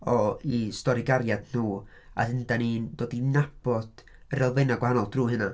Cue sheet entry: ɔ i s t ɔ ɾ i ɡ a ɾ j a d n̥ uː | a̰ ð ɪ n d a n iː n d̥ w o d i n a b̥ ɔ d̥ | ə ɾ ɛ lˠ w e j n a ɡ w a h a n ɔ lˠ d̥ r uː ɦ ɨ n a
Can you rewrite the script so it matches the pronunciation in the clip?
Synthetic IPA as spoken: ɔ i s t ɔ ɾ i ɡ a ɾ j a d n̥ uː | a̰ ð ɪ n d a n iː n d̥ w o d i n a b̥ ɔ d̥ | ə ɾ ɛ lˠ v e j n a ɡ w a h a n ɔ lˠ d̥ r uː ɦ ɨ n a